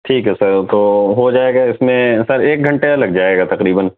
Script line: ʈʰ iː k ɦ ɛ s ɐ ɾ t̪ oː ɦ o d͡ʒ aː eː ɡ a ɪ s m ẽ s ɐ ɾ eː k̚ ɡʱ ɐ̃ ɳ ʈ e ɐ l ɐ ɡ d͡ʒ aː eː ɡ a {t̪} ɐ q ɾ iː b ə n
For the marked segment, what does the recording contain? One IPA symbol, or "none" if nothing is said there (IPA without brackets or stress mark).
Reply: t̪